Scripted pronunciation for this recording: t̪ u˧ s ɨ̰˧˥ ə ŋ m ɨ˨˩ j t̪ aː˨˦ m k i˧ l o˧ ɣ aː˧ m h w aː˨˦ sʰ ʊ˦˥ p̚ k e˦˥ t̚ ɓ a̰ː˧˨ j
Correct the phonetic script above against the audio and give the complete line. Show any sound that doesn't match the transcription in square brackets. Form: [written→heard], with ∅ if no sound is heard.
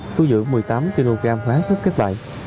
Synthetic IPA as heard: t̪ u˧ [s→z] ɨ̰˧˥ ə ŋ m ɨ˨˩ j t̪ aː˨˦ m k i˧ l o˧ ɣ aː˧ m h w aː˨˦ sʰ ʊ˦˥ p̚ k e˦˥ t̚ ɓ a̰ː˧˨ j